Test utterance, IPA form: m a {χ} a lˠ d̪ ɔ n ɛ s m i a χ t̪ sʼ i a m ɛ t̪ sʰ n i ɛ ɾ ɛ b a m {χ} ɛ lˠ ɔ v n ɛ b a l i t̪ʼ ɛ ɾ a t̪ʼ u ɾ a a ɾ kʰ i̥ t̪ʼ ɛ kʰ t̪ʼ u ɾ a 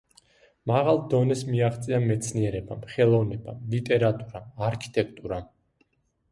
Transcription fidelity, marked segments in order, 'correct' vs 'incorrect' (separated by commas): incorrect, correct